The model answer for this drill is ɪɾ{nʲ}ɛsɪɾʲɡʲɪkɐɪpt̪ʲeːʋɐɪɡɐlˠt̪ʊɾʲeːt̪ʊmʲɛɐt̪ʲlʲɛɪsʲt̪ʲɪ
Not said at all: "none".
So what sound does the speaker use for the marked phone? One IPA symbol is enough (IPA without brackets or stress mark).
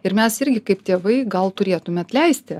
mʲ